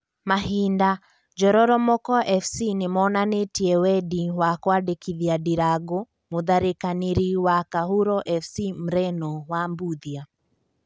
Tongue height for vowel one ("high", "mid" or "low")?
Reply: low